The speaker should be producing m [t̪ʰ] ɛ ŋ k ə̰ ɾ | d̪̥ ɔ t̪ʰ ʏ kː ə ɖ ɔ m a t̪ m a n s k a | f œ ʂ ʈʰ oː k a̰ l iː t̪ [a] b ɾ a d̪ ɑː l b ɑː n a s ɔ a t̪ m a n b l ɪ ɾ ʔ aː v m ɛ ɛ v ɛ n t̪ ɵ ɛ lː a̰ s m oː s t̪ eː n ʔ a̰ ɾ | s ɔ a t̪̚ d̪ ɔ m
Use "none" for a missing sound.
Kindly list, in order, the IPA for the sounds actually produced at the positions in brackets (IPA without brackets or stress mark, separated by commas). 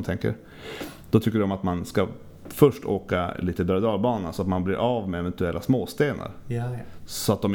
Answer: t̪ʰ, ə